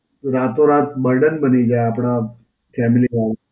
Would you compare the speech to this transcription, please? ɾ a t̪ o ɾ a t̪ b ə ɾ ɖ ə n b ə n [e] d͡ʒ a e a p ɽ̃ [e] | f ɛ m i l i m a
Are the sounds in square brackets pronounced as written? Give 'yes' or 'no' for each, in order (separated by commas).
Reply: no, no